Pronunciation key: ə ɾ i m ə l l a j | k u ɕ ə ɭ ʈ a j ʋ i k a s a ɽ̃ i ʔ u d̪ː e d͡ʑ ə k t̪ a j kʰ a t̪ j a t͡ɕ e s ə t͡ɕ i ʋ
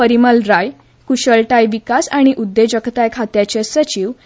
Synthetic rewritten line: ə ɾ i m ə l ɾ a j | k u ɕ ə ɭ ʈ a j ʋ i k a s a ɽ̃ i ʔ u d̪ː e d͡ʑ ə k t̪ a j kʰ a t̪ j a t͡ɕ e s ə t͡ɕ i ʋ